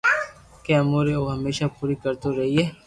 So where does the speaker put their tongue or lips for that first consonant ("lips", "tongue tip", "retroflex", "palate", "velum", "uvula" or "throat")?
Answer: velum